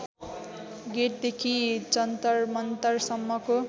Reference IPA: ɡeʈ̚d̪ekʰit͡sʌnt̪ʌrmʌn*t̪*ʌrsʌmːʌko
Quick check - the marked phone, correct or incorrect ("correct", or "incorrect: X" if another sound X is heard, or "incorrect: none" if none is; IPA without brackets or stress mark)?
correct